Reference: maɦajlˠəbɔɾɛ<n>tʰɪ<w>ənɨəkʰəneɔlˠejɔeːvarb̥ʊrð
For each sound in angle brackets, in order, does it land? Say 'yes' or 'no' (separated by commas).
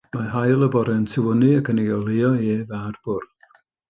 yes, yes